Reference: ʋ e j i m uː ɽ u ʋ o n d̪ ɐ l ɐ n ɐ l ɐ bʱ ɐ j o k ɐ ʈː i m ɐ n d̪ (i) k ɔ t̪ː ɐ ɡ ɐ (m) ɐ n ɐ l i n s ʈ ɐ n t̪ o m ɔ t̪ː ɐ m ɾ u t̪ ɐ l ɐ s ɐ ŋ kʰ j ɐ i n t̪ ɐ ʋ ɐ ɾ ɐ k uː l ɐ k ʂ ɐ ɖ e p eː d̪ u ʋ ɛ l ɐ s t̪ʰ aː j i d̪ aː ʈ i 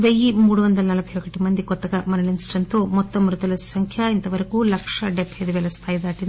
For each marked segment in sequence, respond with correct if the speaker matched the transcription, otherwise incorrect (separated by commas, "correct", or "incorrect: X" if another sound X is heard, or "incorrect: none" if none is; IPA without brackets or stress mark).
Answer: correct, correct